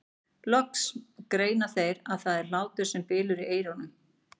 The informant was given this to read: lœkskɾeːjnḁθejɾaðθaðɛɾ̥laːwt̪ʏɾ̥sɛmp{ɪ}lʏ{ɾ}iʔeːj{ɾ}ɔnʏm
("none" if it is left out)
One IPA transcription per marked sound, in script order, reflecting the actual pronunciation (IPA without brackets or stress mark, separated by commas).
ɪː, ɾ, ɾ